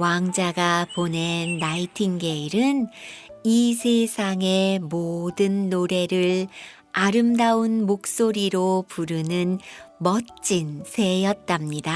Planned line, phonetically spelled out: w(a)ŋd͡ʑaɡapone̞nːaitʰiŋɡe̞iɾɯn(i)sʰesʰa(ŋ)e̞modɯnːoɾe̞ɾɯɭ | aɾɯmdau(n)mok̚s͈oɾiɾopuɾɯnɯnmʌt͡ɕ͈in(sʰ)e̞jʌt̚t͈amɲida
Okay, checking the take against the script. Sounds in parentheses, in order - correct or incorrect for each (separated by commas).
correct, correct, correct, correct, correct